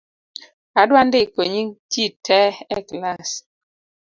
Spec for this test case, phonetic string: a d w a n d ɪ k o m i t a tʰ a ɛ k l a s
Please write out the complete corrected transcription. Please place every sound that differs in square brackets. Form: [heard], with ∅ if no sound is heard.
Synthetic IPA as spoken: a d w a n d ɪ k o [ɲ] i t [i] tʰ [ɛ] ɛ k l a s